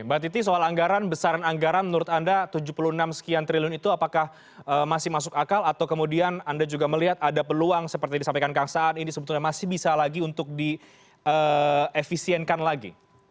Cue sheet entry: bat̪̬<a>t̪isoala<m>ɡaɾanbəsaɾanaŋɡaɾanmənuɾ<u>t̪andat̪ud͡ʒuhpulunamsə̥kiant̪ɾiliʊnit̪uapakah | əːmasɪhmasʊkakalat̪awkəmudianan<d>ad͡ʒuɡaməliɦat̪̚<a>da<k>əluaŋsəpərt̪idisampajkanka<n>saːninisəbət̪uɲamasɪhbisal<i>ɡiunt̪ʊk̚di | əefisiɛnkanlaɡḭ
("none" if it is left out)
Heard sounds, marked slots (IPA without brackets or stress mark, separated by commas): i, ŋ, ʊ, d, a, p, ŋ, a